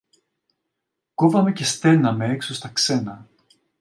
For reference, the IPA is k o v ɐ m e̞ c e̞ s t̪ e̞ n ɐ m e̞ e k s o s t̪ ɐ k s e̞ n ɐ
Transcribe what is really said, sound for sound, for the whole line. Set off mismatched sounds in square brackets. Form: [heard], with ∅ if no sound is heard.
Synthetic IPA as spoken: k o v ɐ m e̞ c e̞ s t̪ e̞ n ɐ m e̞ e k s o s t̪ ɐ k s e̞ n ɐ

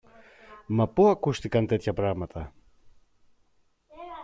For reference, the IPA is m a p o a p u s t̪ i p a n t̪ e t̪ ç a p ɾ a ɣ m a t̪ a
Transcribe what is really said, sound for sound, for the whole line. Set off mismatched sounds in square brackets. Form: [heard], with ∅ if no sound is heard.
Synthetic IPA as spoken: m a p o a [k] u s t̪ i [k] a n t̪ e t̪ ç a p ɾ a ɣ m a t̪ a

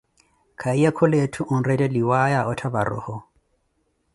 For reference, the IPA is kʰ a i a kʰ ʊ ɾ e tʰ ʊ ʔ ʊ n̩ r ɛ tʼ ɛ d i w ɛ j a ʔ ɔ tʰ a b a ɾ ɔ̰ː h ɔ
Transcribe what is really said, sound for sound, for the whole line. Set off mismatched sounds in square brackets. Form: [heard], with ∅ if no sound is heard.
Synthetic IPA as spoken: kʰ a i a kʰ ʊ [l] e tʰ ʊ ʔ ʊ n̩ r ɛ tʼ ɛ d i w [a] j a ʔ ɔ tʰ a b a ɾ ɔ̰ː h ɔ

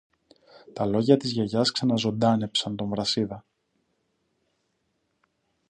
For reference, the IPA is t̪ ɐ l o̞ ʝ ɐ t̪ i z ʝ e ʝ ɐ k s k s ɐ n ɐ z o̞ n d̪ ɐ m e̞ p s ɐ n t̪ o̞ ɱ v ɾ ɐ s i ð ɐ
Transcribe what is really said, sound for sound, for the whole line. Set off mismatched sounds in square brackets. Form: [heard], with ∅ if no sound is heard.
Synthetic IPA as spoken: t̪ ɐ l o̞ ʝ ɐ t̪ i z ʝ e ʝ ɐ [∅] s k s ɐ n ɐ z o̞ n d̪ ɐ [n] e̞ p s ɐ n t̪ o̞ ɱ v ɾ ɐ s i ð ɐ

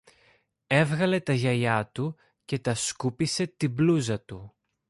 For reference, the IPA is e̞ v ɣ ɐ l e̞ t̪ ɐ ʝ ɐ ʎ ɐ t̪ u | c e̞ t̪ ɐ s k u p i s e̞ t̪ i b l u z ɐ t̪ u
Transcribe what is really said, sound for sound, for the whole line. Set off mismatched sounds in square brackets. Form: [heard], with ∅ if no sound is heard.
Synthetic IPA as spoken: e̞ v ɣ ɐ l e̞ t̪ ɐ ʝ ɐ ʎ ɐ t̪ u | c e̞ t̪ ɐ s k u p i s e̞ t̪ i b l u z ɐ t̪ u

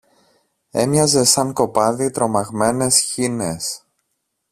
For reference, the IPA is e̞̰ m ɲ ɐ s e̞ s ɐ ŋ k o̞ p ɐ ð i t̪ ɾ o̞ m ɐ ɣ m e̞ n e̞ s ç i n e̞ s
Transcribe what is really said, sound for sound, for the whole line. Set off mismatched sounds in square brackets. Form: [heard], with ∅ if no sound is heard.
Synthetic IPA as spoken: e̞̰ m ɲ ɐ [z] e̞ s ɐ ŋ k o̞ p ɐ ð i t̪ ɾ o̞ m ɐ ɣ m e̞ n e̞ s ç i n e̞ s

